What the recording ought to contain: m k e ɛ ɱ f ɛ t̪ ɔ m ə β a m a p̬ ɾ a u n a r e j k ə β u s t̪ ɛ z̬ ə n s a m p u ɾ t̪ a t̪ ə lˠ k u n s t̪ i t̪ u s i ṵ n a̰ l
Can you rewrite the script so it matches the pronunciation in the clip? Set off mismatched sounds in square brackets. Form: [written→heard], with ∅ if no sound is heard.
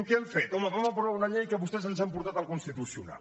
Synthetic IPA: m k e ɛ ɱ f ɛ t̪ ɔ m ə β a m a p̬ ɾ a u n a [r→ʎ] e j k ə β u s t̪ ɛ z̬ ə n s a m p u ɾ t̪ a t̪ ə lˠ k u n s t̪ i t̪ u s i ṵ n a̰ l

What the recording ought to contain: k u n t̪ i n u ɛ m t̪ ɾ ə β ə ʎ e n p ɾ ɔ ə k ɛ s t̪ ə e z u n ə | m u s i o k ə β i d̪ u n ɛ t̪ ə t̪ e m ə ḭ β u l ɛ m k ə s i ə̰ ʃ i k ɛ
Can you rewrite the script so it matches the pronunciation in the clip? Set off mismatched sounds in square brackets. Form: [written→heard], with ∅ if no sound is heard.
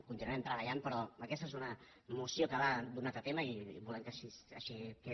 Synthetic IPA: k u n t̪ i n u ɛ m t̪ ɾ ə β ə ʎ [e→a] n p ɾ ɔ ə k ɛ s t̪ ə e z u n ə | m u s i o k ə β [i→a] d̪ u n [ɛ→a] t̪ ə t̪ e m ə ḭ β u l ɛ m k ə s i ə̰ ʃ i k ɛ

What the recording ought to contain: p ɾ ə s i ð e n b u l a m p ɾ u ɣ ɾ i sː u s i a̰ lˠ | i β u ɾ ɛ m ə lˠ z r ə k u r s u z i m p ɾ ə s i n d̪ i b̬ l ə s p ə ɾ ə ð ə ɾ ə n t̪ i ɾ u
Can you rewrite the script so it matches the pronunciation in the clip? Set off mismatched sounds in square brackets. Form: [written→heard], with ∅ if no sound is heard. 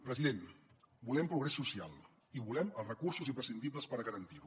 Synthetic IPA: p ɾ ə [s→z] i ð e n b u l [a→ɛ] m p ɾ u ɣ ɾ [i→ɛ] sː u s i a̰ lˠ | i β u [ɾ→l] ɛ m ə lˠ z r ə k u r s u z i m p ɾ ə s i n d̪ i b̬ l ə s p ə ɾ ə [ð→ɣ] ə ɾ ə n t̪ i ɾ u

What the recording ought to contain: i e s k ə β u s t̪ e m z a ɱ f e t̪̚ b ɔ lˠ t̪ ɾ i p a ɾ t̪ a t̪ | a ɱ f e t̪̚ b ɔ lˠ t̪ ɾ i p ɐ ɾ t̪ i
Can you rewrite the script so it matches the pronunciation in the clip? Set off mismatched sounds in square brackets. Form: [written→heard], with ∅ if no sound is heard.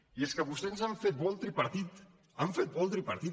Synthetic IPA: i e s k ə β u s t̪ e [m→n] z a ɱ f e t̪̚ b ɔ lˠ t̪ ɾ i p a ɾ t̪ [a→i] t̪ | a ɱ f e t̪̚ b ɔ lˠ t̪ ɾ i p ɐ ɾ t̪ i

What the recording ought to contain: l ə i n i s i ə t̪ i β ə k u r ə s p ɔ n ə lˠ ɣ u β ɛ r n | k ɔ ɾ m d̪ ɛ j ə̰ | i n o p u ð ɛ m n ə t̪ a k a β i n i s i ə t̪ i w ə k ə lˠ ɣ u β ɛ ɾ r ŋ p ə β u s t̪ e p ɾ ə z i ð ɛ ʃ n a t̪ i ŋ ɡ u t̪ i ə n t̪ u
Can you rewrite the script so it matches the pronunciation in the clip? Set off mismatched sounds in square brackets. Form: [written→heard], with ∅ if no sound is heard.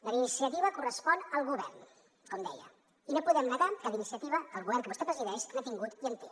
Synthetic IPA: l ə i n i s i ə t̪ i β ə k u r ə s p ɔ n ə lˠ ɣ u β ɛ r n | k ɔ [ɾ→∅] m d̪ ɛ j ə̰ | i n o p u ð ɛ m n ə t̪ a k a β i n i s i ə t̪ i [w→β] ə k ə lˠ ɣ u β ɛ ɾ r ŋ [p→k] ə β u s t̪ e p ɾ ə z i ð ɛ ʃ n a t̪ i ŋ ɡ u t̪ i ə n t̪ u

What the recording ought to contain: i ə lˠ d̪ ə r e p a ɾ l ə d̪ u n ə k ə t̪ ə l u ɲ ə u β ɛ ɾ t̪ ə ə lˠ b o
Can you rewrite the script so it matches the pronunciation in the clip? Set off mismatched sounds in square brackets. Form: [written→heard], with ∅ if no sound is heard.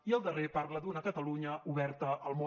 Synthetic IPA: i ə lˠ d̪ ə r e p a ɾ l ə d̪ u n ə k ə t̪ ə l u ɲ ə u β ɛ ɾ t̪ ə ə lˠ [b→m] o

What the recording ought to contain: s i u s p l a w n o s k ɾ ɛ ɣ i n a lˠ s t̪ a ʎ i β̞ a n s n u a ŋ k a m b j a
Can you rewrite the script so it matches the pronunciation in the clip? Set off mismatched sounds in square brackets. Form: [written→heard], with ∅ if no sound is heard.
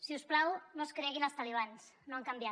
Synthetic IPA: s i u s p l a w n o s k ɾ ɛ ɣ i n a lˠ s t̪ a [ʎ→l] i β̞ a n s n [u→o] a ŋ k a m b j a

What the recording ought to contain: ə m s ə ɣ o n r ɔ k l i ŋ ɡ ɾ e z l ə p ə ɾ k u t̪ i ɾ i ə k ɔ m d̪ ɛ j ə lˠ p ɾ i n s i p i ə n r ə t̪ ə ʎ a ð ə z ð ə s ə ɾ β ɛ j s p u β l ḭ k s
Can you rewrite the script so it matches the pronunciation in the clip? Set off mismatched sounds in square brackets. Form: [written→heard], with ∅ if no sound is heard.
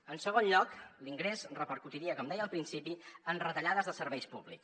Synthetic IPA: ə [m→n] s ə ɣ o n [r→ʎ] ɔ k l i ŋ ɡ ɾ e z [l→r] ə p ə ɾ k u t̪ i ɾ i ə k ɔ m d̪ ɛ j ə lˠ p ɾ i n s i p i ə n r ə t̪ ə ʎ a ð ə z ð ə s ə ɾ β ɛ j s p u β l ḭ k s

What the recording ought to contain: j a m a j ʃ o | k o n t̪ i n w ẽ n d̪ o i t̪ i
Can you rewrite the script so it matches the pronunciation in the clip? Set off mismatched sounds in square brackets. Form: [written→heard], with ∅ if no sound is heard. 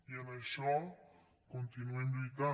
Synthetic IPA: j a [m→n] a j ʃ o | k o n t̪ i n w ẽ n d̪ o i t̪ [i→a]

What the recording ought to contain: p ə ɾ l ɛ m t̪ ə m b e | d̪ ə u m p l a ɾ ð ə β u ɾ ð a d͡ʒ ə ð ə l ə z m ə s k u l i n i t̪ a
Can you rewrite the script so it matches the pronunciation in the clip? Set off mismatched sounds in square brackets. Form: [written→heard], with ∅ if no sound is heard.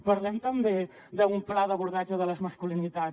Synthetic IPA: p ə ɾ l ɛ m t̪ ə m b e | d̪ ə u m p l a [ɾ→∅] ð ə β u ɾ ð a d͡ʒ ə ð ə l ə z m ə s k u l i n i t̪ a

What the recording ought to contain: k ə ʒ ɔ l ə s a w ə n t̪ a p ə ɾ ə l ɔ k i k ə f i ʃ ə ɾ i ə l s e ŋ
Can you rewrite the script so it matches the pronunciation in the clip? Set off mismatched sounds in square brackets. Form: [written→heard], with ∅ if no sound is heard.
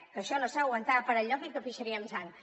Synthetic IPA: k ə [ʒ→ʃ] ɔ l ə s a w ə n t̪ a p ə ɾ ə [l→ʎ] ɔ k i k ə f i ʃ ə ɾ i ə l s [e→a] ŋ

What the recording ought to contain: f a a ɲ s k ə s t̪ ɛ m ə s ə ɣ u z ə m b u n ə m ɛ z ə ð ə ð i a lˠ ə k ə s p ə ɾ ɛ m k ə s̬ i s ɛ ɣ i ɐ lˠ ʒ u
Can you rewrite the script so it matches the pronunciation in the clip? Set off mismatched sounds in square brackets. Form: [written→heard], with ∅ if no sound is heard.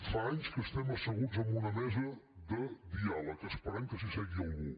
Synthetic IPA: f a a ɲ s k ə s t̪ ɛ m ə s ə ɣ u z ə m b u n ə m ɛ z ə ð ə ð i a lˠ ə k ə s p ə ɾ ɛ m k ə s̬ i s ɛ ɣ i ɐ lˠ [ʒ→ɣ] u

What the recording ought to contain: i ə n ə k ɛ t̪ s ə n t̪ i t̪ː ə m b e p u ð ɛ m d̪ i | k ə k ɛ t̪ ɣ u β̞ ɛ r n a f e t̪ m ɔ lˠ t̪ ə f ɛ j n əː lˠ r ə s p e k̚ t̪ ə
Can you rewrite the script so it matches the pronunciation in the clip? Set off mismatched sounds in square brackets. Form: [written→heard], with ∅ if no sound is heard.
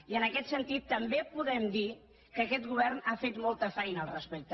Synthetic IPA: i ə n ə k ɛ t̪ s ə n t̪ i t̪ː ə m b e p u ð ɛ m d̪ i | k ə k ɛ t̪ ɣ u β̞ ɛ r n a f e t̪ m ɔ lˠ t̪ ə f ɛ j n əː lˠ r ə s p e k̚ t̪ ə

